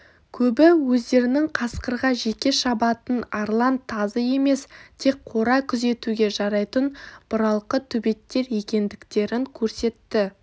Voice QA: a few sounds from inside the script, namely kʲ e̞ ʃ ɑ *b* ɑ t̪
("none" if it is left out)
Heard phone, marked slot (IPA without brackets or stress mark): b